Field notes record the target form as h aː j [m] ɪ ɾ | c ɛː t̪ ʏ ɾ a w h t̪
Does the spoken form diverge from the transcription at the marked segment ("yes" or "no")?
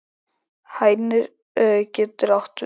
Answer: yes